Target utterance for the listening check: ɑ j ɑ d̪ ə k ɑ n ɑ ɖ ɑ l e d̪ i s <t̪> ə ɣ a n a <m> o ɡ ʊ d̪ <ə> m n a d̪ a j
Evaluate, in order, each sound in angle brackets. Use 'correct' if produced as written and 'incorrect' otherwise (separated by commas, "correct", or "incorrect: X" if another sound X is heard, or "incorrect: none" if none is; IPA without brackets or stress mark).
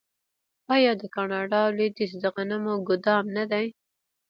incorrect: d̪, correct, incorrect: ɑ